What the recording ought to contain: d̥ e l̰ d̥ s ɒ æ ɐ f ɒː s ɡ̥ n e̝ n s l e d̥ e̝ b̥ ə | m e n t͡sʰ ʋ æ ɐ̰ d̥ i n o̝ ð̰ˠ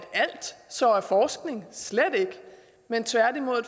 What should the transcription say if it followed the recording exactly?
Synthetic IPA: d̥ æ l̰ d̥ s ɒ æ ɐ f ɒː s ɡ̥ n e̝ ŋ s l e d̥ e̝ ɡ̥ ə | m e n t͡sʰ ʋ æ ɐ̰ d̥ i m o̝ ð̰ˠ